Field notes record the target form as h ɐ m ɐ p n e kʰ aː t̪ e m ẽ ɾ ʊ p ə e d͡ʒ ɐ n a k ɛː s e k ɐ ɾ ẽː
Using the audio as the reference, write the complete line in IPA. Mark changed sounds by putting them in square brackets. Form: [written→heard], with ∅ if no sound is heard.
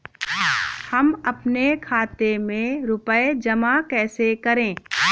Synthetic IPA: h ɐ m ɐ p n e kʰ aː t̪ e m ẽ ɾ ʊ p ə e d͡ʒ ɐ [n→m] a k ɛː s e k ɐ ɾ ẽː